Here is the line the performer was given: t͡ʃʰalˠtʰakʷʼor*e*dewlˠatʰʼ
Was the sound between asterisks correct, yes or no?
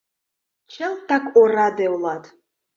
no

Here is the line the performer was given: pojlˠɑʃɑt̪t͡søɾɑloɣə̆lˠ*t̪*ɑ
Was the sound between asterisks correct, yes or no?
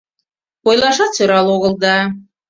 no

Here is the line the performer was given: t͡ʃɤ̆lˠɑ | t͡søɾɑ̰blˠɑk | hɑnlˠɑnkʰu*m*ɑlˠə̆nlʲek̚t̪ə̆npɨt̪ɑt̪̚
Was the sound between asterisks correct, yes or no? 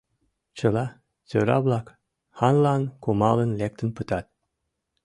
yes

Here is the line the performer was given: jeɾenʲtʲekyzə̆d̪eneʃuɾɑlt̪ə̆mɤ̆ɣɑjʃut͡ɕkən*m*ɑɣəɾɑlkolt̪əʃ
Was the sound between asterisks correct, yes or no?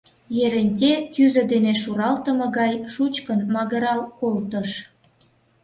yes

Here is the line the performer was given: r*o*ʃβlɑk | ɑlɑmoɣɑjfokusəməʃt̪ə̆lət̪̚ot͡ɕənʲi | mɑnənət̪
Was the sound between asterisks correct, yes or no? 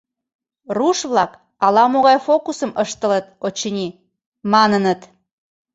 no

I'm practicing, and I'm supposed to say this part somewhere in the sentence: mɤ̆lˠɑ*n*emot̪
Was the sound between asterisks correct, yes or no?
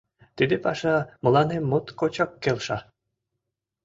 yes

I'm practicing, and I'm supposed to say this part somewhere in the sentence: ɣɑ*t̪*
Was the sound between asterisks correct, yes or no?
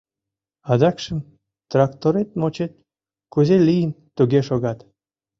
yes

